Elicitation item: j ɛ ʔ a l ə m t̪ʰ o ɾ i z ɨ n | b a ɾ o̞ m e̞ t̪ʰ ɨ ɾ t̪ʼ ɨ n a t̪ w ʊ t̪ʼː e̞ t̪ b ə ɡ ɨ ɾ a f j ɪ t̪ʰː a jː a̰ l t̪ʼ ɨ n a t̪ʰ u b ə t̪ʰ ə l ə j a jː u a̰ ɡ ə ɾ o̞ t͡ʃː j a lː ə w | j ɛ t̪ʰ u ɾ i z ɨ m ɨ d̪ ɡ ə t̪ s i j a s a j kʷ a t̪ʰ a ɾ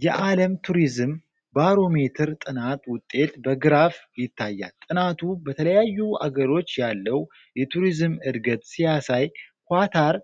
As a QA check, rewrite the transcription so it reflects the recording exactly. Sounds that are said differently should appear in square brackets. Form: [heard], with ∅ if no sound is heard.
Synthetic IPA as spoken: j ɛ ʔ a l ə m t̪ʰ [u] ɾ i z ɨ [m] | b a ɾ o̞ m e̞ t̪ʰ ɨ ɾ t̪ʼ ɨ n a t̪ w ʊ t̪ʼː e̞ t̪ b ə ɡ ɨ ɾ a f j ɪ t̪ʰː a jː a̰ l t̪ʼ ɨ n a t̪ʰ u b ə t̪ʰ ə l ə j a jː u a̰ ɡ ə ɾ o̞ t͡ʃː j a lː ə w | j ɛ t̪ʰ u ɾ i z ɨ m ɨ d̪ ɡ ə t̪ s i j a s a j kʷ a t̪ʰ a ɾ